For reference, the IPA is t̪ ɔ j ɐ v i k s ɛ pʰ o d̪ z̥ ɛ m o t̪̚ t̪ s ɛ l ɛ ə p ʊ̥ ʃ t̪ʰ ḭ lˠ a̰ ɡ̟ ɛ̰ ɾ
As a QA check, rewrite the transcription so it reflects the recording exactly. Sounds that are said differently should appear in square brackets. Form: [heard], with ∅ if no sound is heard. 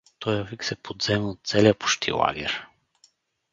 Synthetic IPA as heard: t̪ ɔ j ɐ v i k s ɛ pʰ o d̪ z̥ ɛ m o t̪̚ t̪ s ɛ l [i] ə p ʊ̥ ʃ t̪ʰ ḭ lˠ a̰ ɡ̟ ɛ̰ ɾ